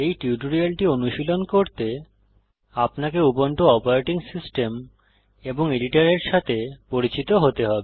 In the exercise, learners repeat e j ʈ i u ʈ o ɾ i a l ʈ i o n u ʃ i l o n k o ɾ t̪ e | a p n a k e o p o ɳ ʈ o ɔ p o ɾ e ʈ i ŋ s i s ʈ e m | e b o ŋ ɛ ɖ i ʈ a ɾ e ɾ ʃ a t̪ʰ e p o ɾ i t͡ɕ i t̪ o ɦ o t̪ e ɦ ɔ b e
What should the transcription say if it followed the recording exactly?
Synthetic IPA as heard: e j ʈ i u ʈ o ɾ i a l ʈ i o n u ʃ i l o n k o ɾ t̪ e | a p n a k e u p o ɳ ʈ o ɔ p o ɾ e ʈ i ŋ s i s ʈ e m | e b o ŋ e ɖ i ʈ a ɾ e ɾ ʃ a t̪ʰ e p o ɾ i t͡ɕ i t̪ o ɦ o t̪ e ɦ ɔ b e